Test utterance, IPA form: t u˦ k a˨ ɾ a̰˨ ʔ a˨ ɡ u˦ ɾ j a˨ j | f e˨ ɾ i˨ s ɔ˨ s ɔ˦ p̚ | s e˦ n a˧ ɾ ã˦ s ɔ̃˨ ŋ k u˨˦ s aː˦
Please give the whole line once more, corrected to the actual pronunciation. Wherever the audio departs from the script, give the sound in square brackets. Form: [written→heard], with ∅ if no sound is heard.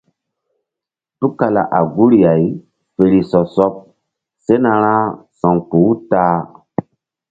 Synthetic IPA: t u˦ k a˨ [ɾ→l] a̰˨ ʔ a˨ ɡ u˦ ɾ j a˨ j | f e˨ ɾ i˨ s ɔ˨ s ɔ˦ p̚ | s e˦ n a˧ ɾ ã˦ s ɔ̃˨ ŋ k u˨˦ [s→t] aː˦